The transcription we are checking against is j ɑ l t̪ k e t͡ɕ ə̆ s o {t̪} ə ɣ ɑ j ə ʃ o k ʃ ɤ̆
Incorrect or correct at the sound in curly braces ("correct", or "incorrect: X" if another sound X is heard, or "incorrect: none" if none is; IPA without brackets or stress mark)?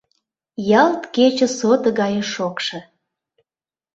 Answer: correct